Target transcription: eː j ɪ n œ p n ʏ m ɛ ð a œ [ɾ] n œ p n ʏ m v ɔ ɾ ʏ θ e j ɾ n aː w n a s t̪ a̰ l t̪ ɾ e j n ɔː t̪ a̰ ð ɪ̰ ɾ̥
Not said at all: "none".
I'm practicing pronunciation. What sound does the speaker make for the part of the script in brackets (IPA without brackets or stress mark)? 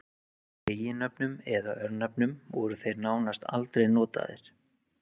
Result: ɾ